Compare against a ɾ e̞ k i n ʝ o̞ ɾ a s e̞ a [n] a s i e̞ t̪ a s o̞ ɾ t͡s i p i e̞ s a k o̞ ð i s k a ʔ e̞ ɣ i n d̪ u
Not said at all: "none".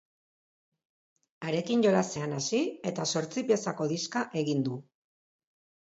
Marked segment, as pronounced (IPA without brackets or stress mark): n